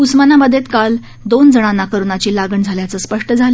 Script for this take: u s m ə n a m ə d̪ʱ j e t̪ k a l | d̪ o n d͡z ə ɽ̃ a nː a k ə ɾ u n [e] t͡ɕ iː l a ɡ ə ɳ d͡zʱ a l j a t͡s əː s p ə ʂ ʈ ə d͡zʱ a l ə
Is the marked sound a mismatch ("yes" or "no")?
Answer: yes